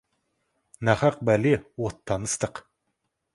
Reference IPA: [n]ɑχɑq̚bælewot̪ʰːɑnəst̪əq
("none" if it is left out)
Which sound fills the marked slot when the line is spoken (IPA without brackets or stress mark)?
n